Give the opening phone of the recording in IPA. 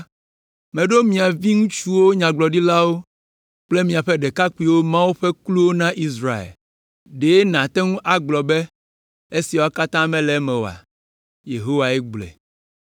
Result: m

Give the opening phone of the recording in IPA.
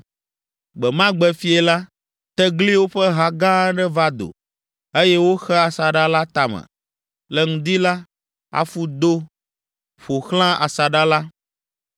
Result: ɡ͡b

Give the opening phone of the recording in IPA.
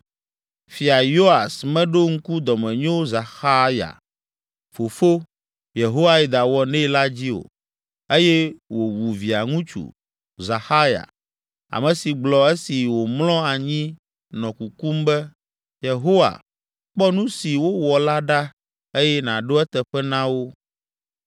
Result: f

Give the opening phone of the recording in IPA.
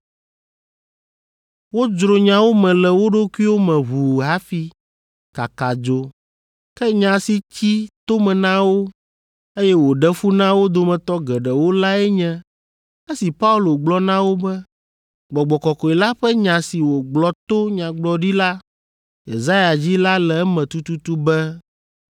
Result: w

